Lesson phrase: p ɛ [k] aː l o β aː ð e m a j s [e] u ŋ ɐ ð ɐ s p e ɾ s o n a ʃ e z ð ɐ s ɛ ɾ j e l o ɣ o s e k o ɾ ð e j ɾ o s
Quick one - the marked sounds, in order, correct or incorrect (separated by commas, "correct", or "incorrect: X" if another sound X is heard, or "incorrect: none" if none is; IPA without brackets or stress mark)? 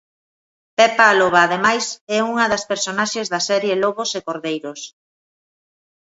incorrect: p, incorrect: ɛ